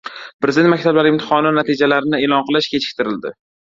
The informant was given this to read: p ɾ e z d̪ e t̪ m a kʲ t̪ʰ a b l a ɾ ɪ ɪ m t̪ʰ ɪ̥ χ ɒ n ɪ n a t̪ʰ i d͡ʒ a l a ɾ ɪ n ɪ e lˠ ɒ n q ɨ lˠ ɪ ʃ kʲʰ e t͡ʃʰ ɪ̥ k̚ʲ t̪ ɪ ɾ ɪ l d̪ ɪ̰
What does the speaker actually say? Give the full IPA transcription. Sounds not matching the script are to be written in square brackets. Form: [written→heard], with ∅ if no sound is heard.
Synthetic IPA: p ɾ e z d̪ e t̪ m a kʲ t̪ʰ a b l a ɾ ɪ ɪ m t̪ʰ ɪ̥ χ ɒ n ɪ n a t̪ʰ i d͡ʒ a l a ɾ ɪ n ɪ e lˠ ɒ n q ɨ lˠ ɪ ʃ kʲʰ e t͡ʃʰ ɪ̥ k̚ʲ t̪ ɪ ɾ ɪ l d̪ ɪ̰